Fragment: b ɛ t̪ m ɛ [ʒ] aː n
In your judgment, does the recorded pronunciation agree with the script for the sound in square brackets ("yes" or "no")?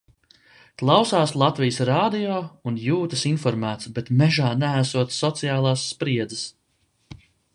yes